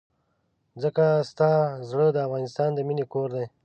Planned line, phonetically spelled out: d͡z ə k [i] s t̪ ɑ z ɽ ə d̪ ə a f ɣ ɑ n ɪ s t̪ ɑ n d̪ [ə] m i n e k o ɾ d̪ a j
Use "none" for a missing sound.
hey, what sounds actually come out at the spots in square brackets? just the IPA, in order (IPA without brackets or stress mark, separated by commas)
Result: a, ə